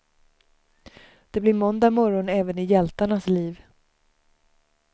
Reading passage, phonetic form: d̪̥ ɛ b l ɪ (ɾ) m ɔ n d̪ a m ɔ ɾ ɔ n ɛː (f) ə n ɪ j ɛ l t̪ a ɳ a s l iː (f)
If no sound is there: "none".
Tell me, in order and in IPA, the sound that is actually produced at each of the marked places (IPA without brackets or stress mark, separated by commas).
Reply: ɾ, v, v